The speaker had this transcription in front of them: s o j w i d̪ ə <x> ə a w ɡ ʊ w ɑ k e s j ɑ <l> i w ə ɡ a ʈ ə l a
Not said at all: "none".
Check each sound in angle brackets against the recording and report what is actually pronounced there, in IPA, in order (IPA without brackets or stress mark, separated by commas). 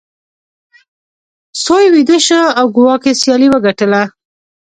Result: ʃ, l